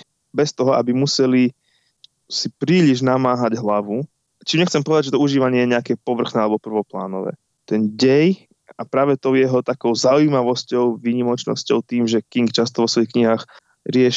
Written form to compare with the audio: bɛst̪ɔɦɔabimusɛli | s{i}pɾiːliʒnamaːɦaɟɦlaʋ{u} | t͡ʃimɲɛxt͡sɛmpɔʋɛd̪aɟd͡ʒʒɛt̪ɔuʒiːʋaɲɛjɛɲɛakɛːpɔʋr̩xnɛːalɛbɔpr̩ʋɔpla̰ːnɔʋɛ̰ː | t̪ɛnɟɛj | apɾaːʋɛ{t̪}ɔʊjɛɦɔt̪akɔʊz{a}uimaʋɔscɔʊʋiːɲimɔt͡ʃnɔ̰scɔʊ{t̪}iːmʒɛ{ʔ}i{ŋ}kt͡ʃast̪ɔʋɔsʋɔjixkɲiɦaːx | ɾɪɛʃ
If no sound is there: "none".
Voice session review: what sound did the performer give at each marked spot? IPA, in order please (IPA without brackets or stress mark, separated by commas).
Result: i, u, t̪, a, t̪, k, ŋ